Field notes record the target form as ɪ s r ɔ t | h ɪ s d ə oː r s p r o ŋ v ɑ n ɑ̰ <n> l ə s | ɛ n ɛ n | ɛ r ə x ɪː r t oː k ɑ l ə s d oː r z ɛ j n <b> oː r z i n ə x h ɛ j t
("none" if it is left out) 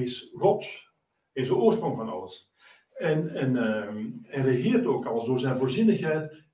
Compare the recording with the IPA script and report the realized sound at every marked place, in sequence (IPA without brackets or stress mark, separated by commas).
none, v